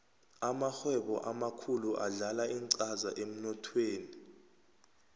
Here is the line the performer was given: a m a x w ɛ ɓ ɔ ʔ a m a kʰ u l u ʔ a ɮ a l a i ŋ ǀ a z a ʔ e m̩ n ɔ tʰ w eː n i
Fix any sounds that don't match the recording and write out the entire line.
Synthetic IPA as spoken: a m a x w ɛ ɓ ɔ ʔ a m a kʰ u l u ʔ a ɮ a l a i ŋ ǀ a z a ʔ e m̩ n ɔ tʰ w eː n i